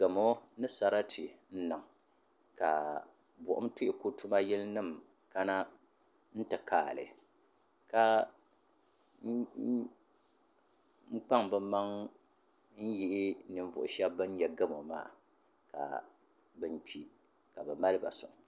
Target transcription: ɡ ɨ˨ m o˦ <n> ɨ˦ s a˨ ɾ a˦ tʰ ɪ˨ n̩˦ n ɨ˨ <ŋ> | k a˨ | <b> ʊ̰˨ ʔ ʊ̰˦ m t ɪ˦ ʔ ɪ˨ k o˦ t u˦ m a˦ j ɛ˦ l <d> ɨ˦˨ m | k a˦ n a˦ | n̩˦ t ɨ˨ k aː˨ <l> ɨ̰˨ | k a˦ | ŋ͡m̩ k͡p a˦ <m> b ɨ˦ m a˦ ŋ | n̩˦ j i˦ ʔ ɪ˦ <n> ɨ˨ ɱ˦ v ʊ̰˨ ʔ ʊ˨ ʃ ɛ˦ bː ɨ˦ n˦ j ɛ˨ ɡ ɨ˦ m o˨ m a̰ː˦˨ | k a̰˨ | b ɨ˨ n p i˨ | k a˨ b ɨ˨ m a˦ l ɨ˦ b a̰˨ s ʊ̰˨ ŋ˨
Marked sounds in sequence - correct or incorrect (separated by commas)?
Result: correct, correct, correct, incorrect, correct, incorrect, correct